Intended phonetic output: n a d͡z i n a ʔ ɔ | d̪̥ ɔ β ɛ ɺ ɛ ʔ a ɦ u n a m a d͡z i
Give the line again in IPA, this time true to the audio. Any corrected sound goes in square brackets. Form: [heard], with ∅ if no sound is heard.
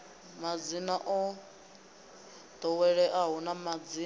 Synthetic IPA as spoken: [m] a d͡z i n a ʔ ɔ | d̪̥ ɔ [w] ɛ ɺ ɛ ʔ a ɦ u n a m a d͡z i

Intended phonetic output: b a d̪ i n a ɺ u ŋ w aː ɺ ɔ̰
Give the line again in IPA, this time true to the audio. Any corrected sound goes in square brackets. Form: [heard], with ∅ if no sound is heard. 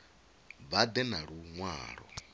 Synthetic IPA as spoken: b a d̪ [ɛ] n a ɺ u ŋ w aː ɺ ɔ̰

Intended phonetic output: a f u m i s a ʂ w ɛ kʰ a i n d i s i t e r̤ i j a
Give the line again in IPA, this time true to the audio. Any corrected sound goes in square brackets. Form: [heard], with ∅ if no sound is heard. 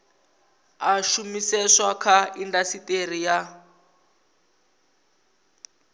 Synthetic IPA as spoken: a [ʃ] u m i s [ɛ] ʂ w [a] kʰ a i n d [a] s i t e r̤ i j a

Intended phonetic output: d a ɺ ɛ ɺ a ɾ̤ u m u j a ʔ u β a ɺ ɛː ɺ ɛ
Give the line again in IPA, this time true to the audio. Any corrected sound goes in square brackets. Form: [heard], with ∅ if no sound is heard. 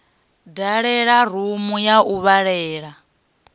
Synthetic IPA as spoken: d a ɺ ɛ ɺ a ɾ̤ u m u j a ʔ u β a ɺ ɛː ɺ [a]

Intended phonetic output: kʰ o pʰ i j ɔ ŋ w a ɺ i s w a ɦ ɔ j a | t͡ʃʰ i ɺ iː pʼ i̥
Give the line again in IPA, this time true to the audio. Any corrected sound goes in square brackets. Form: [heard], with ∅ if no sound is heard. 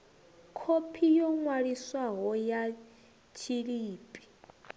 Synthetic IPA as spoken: kʰ o pʰ i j ɔ ŋ w a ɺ i s w a ɦ ɔ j a | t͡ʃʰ i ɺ iː pʼ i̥

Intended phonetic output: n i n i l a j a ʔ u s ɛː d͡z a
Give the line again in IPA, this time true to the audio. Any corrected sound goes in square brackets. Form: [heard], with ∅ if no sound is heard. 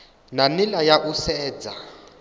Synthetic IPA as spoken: n [a] n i l a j a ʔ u s ɛː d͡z a

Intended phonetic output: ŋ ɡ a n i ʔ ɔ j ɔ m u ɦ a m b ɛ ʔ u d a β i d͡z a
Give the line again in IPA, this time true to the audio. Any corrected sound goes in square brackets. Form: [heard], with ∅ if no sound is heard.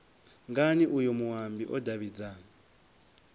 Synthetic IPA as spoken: ŋ ɡ a n i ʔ [u] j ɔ m u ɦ a m b [i] ʔ [ɔ] d a β i d͡z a

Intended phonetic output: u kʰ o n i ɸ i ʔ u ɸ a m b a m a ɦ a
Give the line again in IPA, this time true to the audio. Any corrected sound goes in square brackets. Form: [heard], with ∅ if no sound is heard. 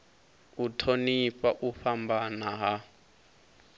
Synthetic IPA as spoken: u [tʰ] o n i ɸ [a] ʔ u ɸ a m b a [n] a ɦ a

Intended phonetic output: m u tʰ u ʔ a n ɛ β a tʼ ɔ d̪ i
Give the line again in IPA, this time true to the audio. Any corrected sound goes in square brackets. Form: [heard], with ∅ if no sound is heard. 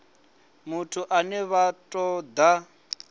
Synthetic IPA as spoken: m u tʰ u ʔ a n ɛ β a tʼ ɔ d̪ [a]

